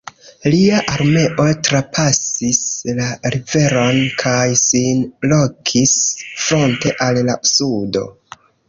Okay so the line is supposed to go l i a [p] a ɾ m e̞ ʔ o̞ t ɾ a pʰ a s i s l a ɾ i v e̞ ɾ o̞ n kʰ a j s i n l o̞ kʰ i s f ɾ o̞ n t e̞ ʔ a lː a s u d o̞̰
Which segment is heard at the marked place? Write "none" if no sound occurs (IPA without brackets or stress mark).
ʔ